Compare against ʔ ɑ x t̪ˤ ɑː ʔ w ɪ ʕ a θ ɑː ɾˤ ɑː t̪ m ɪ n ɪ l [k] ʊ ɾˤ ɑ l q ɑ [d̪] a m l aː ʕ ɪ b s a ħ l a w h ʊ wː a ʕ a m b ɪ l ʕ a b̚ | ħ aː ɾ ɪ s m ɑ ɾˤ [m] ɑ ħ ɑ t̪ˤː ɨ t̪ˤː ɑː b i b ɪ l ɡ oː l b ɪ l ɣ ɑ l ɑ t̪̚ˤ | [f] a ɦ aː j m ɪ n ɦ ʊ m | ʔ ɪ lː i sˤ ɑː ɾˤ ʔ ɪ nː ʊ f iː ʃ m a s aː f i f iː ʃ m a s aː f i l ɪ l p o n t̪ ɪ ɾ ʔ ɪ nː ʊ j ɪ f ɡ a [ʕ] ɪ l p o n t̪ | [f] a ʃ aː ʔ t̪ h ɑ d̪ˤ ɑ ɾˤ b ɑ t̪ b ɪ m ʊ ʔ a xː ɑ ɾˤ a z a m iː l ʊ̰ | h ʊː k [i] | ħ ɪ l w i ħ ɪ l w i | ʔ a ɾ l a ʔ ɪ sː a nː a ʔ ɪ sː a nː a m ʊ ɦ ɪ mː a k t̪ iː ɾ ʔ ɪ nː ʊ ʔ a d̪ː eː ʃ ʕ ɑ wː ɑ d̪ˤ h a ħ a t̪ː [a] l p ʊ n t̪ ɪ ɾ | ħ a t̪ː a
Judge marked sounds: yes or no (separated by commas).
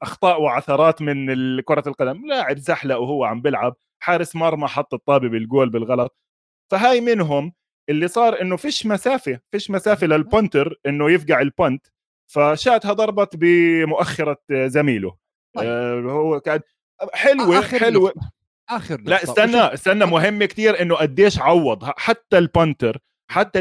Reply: yes, yes, yes, yes, yes, yes, no, yes